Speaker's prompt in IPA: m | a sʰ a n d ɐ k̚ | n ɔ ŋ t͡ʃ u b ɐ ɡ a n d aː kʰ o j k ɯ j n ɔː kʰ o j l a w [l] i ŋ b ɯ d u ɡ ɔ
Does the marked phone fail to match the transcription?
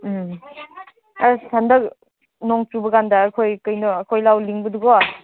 no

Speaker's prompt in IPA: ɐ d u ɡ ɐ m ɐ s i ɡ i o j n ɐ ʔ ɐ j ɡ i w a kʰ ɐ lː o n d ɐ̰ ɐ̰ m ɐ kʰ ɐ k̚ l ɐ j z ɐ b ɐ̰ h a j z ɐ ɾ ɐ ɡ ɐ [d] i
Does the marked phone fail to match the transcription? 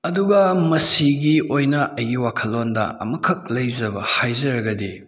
no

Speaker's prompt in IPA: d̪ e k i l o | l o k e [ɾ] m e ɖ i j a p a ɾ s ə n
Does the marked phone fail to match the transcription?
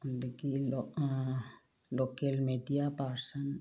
yes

